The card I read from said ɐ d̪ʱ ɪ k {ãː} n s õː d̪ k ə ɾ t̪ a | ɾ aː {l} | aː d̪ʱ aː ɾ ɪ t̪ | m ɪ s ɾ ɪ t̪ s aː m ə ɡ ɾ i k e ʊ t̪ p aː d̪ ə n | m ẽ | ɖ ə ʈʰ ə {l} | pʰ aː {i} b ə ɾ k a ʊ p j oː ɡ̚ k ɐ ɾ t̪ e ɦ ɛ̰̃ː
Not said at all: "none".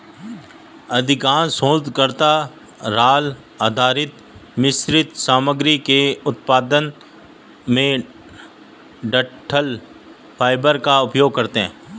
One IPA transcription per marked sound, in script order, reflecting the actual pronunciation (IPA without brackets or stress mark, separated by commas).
aː, l, l, ɪ